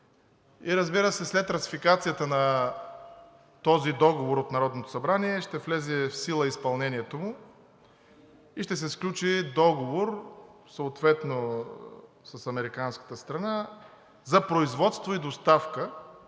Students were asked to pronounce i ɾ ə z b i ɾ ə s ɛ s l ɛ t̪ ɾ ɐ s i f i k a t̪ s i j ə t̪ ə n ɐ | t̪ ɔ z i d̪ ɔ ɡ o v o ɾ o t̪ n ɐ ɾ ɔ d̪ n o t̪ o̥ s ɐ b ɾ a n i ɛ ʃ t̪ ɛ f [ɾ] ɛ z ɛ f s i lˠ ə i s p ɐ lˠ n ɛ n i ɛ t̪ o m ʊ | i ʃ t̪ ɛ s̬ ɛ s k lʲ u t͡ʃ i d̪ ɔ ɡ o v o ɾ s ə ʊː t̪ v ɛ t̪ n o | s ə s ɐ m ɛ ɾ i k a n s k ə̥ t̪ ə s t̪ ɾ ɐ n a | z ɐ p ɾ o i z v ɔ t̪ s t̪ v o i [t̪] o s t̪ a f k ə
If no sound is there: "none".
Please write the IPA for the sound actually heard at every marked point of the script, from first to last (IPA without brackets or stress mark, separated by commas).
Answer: l, d̪